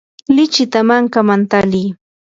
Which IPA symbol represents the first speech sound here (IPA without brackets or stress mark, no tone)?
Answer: l